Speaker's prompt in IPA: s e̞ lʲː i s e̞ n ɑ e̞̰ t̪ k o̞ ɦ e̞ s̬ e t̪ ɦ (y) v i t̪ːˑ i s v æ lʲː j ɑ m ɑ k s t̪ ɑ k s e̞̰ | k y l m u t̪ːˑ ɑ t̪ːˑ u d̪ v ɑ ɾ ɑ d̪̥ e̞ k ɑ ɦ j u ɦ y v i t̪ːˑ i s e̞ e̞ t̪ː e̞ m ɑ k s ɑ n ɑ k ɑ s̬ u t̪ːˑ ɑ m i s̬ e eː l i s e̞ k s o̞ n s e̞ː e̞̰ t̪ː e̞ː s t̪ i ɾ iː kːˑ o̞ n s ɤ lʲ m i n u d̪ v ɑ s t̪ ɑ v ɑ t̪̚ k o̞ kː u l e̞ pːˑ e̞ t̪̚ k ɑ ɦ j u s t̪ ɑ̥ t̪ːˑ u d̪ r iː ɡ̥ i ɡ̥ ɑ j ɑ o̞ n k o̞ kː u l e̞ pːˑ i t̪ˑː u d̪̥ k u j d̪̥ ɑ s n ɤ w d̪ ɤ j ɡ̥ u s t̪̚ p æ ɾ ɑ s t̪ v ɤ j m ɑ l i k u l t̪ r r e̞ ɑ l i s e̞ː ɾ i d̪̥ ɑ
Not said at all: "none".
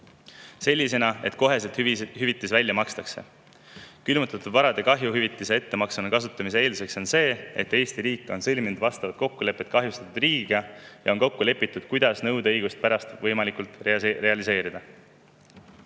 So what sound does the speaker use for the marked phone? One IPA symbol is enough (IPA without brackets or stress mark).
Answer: y